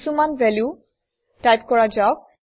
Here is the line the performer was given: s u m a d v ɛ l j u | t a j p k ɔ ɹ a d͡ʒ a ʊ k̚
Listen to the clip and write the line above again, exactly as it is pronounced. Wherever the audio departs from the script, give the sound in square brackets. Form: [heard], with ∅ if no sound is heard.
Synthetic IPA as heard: s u m a [n] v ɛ l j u | t a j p k ɔ ɹ a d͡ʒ a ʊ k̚